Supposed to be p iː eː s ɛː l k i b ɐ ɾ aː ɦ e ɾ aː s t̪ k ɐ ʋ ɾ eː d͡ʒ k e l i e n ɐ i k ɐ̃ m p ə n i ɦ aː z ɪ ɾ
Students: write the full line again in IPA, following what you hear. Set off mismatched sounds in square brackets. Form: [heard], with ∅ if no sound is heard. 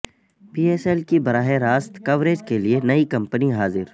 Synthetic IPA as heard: p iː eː s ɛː l k i b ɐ ɾ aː ɦ e ɾ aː s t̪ k ɐ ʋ ɾ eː d͡ʒ k e l i e n ɐ i k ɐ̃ m p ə n i ɦ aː z ɪ ɾ